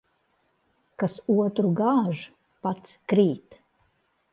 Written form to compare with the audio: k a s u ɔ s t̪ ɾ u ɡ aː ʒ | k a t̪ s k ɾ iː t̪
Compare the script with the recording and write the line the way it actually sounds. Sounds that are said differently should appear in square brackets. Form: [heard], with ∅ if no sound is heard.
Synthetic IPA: k a s u ɔ [∅] t̪ ɾ u ɡ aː ʒ | [p] a t̪ s k ɾ iː t̪